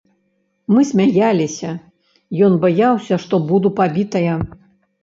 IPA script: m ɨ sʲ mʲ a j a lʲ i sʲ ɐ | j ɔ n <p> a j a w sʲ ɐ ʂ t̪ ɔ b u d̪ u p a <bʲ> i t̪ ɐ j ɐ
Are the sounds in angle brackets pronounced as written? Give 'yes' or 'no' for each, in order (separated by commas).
no, yes